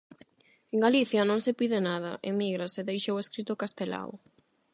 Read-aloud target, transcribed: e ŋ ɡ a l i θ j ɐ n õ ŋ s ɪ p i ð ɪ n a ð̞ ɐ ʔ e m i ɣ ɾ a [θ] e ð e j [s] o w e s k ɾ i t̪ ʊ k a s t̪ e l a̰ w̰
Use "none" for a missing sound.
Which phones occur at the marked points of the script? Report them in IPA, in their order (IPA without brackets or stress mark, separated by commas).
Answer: s, ʃ